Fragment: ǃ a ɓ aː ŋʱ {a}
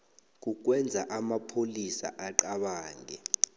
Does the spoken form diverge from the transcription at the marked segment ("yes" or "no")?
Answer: yes